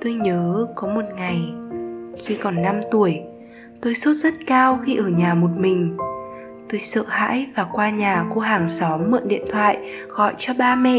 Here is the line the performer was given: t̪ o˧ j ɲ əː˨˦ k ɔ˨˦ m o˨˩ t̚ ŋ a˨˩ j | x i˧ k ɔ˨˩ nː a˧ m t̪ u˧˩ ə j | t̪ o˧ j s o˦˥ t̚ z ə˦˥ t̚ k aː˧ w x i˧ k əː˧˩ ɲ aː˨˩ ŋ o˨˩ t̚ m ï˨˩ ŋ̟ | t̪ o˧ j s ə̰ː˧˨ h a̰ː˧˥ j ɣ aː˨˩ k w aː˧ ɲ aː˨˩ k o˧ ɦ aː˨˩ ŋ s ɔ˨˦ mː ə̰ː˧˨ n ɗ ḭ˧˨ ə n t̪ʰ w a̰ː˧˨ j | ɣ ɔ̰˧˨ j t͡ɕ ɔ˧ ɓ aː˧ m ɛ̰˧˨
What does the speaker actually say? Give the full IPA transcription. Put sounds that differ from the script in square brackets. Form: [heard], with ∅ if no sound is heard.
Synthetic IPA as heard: t̪ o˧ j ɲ əː˨˦ k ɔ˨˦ m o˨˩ t̚ ŋ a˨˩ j | x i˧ k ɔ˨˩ nː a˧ m t̪ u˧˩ ə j | t̪ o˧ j s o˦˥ t̚ z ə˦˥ t̚ k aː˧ w x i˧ [ʔ] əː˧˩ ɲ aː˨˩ [m] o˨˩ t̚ m ï˨˩ ŋ̟ | t̪ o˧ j s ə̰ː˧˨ h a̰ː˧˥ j [v] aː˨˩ k w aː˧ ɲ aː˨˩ k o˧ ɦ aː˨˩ ŋ s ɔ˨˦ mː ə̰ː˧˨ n ɗ ḭ˧˨ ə n t̪ʰ w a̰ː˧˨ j | ɣ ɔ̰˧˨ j t͡ɕ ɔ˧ ɓ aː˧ m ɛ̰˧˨